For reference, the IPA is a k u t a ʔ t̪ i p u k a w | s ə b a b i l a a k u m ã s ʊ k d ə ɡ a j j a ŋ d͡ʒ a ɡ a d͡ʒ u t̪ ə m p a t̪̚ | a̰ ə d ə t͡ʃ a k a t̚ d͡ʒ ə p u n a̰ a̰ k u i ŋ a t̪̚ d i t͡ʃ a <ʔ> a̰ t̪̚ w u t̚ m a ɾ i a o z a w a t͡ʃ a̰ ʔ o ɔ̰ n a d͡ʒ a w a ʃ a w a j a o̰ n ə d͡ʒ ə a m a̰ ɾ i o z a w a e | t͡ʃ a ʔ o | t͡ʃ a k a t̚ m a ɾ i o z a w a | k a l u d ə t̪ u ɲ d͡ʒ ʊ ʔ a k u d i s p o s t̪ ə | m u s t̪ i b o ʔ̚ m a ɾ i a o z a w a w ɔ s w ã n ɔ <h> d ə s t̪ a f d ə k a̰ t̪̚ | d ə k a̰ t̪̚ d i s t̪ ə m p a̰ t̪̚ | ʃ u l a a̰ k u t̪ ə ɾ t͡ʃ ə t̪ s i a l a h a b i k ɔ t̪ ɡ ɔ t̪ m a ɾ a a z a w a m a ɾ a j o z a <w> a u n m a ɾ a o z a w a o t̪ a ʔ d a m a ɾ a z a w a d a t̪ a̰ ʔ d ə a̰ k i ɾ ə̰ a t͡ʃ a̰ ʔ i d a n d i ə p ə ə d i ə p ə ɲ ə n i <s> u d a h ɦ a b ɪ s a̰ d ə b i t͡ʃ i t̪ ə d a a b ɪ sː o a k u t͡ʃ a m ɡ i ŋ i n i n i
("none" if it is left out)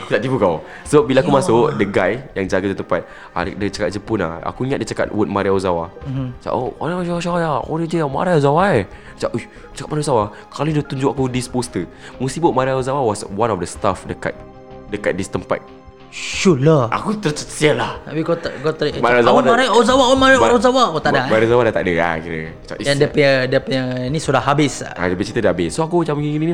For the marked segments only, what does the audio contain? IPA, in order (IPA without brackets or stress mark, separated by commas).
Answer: k, f, w, s